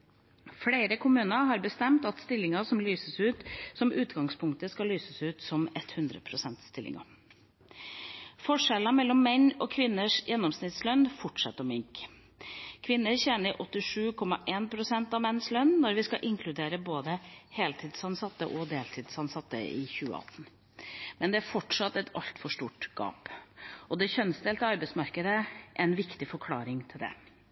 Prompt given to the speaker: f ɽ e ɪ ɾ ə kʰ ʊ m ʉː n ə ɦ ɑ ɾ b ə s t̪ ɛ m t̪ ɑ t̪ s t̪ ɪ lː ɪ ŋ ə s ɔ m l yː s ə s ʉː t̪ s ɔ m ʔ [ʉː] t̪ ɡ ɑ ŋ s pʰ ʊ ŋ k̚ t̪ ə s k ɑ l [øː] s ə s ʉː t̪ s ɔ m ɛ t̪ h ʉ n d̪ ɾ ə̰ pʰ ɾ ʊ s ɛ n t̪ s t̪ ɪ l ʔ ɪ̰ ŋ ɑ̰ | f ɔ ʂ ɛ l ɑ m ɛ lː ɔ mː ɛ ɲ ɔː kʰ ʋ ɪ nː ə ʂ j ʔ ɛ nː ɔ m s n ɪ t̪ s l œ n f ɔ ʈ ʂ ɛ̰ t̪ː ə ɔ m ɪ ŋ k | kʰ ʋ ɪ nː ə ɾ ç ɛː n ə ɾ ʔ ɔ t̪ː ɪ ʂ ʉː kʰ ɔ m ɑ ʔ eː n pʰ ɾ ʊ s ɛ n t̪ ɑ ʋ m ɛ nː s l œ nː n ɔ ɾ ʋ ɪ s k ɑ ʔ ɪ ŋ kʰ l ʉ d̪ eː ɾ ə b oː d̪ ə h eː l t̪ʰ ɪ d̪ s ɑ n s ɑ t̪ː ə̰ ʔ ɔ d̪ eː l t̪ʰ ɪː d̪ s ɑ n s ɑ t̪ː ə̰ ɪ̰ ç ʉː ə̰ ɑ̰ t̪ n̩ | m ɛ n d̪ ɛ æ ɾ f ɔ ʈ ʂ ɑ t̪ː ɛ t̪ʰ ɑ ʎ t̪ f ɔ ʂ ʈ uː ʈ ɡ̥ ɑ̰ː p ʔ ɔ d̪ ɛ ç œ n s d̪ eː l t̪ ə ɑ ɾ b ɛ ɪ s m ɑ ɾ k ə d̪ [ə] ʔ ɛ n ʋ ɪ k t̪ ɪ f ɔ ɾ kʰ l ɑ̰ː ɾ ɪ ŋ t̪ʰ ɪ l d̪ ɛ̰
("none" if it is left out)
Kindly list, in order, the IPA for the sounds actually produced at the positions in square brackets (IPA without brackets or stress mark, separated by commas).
ʉː, yː, ə